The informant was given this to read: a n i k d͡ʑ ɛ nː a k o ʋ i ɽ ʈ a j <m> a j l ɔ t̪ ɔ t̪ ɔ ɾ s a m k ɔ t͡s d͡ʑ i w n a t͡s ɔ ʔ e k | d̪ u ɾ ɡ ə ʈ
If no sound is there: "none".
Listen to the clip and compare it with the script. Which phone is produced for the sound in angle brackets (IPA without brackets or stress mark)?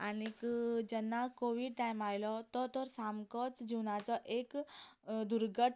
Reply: m